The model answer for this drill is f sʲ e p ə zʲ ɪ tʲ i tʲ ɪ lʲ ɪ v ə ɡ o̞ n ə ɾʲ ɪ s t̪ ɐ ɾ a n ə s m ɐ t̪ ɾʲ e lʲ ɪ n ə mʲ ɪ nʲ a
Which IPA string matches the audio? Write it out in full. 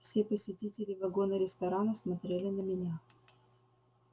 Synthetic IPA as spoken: f sʲ e p ə sʲ ɪ tʲ i tʲ ɪ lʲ ɪ v ɐ ɡ o̞ n ə ɾʲ ɪ s t̪ ɐ ɾ a n ə s m ɐ t̪ ɾʲ e lʲ ɪ n ə mʲ ɪ nʲ a